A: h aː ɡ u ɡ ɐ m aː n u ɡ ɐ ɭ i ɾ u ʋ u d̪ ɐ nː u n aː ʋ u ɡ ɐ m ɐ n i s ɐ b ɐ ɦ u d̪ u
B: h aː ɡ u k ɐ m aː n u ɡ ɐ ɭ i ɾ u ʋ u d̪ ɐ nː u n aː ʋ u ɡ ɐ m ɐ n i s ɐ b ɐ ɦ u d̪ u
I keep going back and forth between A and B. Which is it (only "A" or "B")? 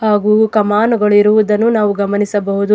B